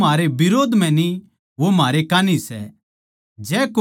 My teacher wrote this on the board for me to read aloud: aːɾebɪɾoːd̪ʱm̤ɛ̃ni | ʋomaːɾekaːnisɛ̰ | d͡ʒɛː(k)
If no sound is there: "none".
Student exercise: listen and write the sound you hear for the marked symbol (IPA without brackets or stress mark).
k